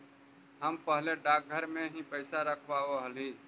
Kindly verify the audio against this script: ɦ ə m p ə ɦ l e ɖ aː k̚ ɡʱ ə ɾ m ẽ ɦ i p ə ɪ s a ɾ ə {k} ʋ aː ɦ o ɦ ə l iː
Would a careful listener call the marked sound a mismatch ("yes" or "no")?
yes